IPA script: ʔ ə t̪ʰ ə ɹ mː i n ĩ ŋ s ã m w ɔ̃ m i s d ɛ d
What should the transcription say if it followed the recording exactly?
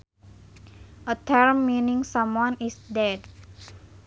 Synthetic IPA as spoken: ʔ ə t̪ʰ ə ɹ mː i n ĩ ŋ s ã m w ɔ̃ n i s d ɛ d